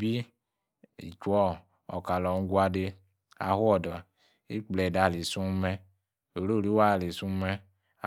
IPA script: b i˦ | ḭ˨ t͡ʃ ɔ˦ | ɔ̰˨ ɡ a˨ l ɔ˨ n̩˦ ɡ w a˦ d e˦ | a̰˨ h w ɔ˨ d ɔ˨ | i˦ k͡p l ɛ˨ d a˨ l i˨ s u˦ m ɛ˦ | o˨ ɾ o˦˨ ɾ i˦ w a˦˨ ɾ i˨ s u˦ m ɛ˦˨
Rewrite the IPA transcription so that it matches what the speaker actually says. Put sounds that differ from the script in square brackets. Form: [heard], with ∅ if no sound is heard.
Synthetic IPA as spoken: b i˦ | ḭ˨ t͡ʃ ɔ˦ | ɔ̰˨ [k] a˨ l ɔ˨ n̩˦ ɡ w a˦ d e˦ | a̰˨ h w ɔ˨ d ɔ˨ | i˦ k͡p l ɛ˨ d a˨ l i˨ s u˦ m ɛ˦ | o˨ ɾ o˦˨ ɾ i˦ w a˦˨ [l] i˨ s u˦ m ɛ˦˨

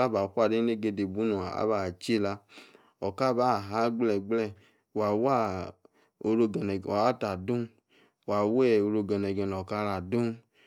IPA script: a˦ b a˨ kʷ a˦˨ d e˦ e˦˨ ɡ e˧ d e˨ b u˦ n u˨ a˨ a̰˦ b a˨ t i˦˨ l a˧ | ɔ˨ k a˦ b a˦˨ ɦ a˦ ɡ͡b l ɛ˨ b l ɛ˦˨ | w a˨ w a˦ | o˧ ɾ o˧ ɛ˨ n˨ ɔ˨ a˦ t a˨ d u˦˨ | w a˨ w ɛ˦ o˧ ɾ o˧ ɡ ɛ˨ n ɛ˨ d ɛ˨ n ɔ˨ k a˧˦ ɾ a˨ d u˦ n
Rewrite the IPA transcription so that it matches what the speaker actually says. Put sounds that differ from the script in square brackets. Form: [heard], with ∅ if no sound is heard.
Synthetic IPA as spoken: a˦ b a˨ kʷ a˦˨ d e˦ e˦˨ ɡ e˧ d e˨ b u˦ n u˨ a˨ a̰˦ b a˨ [t͡ʃ] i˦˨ l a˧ | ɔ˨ k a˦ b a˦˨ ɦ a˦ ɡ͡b l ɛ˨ [ɡ͡b] l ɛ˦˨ | w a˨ w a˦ | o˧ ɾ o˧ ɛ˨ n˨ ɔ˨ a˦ t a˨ d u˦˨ | w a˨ w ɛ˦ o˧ ɾ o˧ ɡ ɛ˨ n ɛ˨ [ɡ] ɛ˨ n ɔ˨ k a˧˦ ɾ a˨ d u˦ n

